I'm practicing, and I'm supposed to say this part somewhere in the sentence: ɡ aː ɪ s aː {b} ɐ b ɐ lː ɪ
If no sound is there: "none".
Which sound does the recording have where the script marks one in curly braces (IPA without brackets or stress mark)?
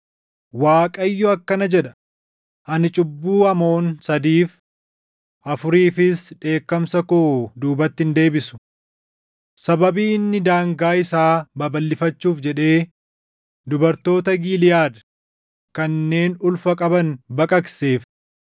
b